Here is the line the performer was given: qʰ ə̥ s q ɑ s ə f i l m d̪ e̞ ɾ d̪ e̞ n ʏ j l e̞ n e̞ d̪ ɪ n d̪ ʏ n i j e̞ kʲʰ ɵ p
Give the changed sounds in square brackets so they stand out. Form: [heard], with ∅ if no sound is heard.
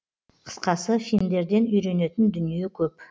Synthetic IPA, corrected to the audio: qʰ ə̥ s q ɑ s ə f i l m d̪ e̞ ɾ d̪ e̞ n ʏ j [ɾ] e̞ n e̞ [t̪] ɪ n d̪ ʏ n i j e̞ kʲʰ ɵ p